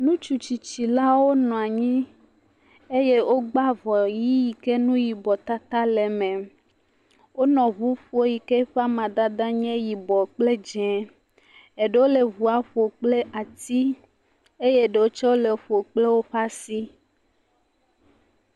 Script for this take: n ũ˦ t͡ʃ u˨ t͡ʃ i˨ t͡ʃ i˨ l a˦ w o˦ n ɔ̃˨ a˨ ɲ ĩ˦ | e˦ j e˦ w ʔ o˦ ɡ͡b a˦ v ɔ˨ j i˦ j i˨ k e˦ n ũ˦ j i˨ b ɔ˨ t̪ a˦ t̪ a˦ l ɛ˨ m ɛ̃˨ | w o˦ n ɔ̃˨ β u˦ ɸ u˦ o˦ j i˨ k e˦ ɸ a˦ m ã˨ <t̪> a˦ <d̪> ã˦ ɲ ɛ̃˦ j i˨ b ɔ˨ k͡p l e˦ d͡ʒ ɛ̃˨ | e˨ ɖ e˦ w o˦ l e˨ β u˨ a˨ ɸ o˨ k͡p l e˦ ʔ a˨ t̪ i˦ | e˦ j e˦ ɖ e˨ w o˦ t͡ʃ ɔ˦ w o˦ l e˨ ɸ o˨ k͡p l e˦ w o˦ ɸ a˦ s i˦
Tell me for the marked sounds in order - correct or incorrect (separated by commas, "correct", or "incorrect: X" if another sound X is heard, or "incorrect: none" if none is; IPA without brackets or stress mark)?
incorrect: d̪, correct